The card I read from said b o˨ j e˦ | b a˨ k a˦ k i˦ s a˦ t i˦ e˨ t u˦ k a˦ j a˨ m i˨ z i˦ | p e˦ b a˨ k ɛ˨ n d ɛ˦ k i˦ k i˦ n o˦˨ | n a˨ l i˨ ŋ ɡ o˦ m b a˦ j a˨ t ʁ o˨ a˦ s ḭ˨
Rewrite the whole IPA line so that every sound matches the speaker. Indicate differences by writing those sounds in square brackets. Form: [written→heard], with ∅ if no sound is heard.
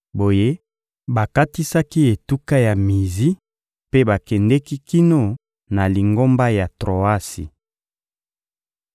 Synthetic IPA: b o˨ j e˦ | b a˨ k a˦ [k→t] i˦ s a˦ [t→k] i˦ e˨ t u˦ k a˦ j a˨ m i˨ z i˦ | p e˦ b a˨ k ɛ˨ n d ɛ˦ k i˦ k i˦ n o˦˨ | n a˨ l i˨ ŋ ɡ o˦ m b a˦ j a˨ t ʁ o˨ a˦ s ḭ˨